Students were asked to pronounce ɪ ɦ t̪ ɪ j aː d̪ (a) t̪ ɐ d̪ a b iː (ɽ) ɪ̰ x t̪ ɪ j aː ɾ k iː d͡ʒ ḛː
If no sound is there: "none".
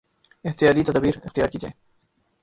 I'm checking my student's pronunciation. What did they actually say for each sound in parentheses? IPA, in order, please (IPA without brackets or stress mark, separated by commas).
i, ɾ